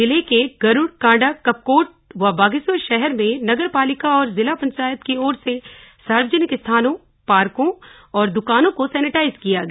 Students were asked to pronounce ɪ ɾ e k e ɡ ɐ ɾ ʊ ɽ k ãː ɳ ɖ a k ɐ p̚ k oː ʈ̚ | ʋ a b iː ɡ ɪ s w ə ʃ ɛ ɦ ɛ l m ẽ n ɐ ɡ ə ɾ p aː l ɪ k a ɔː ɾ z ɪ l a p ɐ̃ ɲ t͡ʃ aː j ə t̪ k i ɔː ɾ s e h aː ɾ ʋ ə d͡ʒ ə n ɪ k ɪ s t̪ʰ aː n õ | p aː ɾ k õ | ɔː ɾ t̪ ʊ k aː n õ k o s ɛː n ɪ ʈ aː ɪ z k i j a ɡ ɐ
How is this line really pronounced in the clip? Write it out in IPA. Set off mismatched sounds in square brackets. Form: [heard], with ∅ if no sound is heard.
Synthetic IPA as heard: ɪ [l] e k e ɡ ɐ ɾ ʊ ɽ k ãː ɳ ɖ a k ɐ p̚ k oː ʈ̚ | ʋ a b [aː] ɡ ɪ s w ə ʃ ɛ ɦ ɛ [ɾ] m ẽ n ɐ ɡ ə ɾ p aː l ɪ k a ɔː ɾ z ɪ l a p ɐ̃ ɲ t͡ʃ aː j ə t̪ k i ɔː ɾ s e [s] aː ɾ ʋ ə d͡ʒ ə n ɪ k ɪ s t̪ʰ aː n õ | p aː ɾ k õ | ɔː ɾ [d̪] ʊ k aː n õ k o s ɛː n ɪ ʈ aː ɪ z k i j a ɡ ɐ